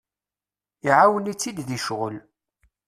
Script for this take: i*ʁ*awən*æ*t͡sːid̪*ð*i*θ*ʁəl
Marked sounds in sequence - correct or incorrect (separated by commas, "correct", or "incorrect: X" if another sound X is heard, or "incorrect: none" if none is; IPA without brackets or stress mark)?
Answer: incorrect: ʕ, incorrect: i, correct, incorrect: ʃ